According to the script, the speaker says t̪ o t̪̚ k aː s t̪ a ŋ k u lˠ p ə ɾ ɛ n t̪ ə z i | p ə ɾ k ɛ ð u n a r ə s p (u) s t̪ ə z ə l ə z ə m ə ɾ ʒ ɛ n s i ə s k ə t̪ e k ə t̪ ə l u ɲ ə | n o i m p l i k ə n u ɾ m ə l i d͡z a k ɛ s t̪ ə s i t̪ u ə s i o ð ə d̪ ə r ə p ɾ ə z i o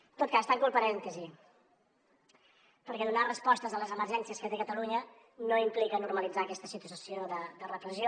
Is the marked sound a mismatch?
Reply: yes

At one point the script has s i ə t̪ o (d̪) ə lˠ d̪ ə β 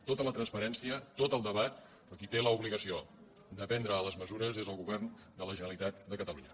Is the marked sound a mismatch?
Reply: yes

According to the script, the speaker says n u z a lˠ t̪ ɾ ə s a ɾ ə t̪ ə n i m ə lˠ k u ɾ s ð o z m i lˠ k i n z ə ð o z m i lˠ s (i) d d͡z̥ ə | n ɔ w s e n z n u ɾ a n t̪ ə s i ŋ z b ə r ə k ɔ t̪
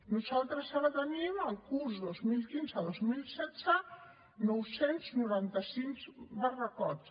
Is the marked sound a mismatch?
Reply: yes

